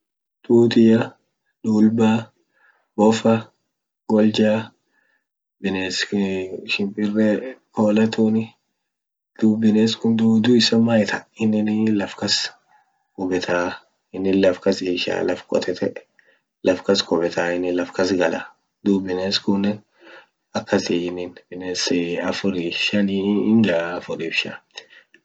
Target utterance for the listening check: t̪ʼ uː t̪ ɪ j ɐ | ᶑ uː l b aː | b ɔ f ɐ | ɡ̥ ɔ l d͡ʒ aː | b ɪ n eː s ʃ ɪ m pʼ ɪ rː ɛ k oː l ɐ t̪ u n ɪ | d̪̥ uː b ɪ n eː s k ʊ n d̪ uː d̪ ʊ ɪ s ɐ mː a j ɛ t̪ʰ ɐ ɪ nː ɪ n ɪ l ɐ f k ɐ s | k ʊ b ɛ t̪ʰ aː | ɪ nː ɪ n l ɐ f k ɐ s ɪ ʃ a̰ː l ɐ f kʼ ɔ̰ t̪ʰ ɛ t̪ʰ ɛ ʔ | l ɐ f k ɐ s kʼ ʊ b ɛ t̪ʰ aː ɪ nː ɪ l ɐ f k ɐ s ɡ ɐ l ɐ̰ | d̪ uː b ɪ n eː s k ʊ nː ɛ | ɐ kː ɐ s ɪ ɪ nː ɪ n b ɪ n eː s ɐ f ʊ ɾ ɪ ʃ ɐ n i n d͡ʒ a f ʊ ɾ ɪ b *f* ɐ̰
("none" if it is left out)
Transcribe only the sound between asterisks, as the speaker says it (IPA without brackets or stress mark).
ʃ